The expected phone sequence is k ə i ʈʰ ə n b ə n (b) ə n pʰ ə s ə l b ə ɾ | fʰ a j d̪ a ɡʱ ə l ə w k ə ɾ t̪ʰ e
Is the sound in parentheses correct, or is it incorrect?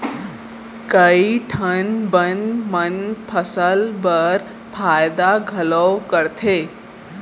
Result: incorrect